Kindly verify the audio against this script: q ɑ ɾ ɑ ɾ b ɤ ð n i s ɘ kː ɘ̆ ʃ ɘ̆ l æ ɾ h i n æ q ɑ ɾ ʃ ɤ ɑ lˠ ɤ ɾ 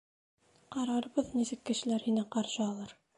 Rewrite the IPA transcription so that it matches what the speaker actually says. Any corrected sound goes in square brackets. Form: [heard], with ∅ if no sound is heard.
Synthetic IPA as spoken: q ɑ ɾ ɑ ɾ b ɤ ð n i s ɘ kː ɘ̆ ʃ ɘ̆ l æ ɾ h i n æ q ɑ ɾ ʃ ɤ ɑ lˠ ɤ ɾ